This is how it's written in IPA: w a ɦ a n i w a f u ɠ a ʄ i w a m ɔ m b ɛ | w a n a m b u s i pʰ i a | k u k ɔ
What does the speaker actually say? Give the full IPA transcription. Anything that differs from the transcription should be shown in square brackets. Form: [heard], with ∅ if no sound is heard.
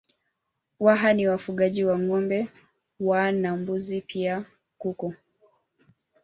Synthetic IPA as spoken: w a ɦ a n i w a f u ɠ a ʄ i w a [ŋ] ɔ m b ɛ | w a n a m b u [z] i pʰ i a | k u k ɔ